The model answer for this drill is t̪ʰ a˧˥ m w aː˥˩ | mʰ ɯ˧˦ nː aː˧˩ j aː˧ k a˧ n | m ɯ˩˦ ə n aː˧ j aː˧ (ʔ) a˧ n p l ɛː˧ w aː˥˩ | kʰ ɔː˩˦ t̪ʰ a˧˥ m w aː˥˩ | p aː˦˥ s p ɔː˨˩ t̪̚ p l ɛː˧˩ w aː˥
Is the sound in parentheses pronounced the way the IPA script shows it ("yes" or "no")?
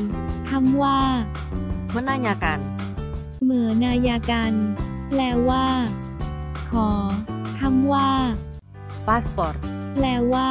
no